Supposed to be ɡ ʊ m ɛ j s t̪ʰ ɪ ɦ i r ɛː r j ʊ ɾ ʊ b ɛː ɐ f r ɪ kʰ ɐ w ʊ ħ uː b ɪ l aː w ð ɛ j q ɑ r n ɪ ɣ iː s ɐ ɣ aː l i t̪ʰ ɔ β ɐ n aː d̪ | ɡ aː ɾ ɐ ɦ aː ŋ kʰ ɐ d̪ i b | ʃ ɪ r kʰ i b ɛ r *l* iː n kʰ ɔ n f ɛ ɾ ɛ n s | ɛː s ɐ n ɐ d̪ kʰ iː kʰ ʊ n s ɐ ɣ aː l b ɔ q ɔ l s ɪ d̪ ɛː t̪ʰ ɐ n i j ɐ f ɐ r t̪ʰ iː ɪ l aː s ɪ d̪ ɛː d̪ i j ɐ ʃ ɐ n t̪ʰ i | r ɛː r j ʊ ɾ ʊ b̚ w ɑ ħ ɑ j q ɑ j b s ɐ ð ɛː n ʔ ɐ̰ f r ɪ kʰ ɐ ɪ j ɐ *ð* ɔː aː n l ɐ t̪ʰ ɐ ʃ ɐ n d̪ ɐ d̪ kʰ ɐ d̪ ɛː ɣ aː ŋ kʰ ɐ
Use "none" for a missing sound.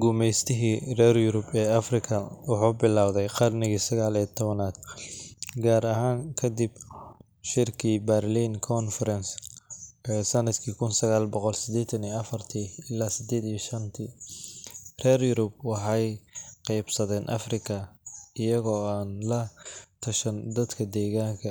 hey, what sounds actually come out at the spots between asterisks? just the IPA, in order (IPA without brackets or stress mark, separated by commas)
l, ɣ